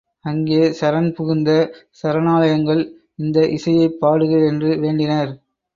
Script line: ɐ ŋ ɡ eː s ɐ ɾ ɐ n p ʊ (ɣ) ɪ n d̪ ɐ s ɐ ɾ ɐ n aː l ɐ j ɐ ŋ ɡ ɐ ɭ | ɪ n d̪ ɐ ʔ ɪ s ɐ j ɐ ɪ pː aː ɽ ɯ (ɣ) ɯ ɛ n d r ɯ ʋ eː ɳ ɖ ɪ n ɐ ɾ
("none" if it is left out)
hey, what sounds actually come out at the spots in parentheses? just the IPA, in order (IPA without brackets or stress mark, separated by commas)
ɣ, ɣ